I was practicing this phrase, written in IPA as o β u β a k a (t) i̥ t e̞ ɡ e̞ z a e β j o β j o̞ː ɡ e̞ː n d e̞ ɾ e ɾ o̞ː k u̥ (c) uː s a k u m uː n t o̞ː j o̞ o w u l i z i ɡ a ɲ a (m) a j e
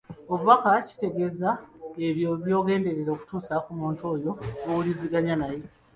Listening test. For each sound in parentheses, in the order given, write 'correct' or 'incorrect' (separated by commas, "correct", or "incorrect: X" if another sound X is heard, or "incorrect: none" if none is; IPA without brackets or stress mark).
incorrect: c, incorrect: t, incorrect: n